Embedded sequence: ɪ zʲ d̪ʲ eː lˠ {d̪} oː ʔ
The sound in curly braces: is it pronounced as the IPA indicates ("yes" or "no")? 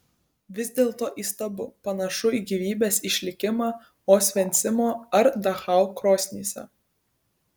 no